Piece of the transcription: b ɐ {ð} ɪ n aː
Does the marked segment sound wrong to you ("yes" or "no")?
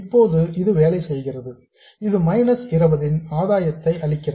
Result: no